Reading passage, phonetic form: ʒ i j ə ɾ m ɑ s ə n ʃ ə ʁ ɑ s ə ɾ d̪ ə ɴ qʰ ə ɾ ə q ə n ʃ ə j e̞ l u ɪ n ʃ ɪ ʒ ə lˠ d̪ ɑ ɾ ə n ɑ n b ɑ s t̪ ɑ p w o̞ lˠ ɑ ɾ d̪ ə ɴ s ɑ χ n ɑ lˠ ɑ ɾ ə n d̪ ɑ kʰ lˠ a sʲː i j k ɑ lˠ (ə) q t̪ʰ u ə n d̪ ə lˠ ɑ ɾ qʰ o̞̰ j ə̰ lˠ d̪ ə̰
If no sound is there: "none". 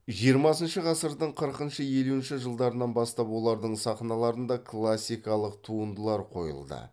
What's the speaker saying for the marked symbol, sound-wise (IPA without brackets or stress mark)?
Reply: ə